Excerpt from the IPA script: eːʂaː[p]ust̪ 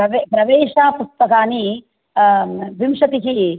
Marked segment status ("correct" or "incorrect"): correct